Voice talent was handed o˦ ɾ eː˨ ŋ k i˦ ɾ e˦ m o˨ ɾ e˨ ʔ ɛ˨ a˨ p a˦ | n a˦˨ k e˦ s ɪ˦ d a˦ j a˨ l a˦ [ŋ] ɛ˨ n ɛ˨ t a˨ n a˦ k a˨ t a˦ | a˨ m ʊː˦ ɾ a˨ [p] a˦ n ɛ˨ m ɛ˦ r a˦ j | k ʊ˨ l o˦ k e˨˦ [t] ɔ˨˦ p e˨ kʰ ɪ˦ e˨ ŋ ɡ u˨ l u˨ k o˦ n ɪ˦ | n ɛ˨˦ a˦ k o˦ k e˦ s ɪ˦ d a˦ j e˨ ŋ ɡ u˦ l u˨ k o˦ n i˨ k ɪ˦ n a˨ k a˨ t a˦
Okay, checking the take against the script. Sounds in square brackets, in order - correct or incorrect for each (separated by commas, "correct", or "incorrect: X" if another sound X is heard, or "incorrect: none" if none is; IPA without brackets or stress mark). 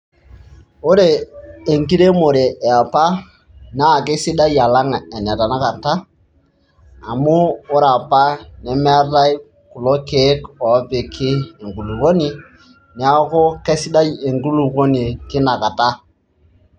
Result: correct, correct, incorrect: k